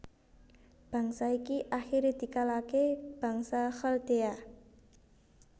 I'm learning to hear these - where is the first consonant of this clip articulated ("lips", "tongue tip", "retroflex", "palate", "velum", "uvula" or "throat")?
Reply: lips